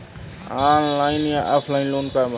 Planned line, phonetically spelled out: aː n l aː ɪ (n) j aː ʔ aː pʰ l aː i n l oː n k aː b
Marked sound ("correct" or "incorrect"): correct